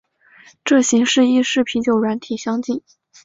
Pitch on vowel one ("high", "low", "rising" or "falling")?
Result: falling